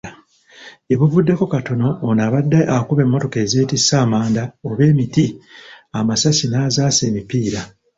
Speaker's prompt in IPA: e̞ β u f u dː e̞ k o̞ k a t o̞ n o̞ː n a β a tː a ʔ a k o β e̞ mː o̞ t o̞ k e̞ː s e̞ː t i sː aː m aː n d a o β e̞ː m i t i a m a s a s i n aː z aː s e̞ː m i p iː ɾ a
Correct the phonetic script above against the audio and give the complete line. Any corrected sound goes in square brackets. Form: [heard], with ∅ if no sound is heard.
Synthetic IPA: e̞ β u [v] u dː e̞ k o̞ k a t o̞ n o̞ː n a β a [dː] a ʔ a k [u] β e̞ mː o̞ t o̞ k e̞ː [z] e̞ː t i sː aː m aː n d a o β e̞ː m i t i a m a s a s i n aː z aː s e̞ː m i p iː ɾ a